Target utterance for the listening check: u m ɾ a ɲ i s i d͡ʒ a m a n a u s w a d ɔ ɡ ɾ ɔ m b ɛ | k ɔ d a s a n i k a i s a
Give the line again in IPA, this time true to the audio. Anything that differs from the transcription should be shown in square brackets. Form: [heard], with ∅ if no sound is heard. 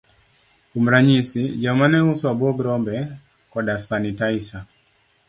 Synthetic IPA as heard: u m ɾ a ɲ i s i d͡ʒ a m a n [ɛ] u s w a [b] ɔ ɡ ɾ ɔ m b ɛ | k ɔ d a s a n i [t] a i s a